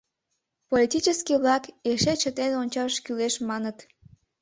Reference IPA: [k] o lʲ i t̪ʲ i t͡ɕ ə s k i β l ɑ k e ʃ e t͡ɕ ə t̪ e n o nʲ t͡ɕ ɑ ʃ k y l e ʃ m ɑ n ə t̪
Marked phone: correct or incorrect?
incorrect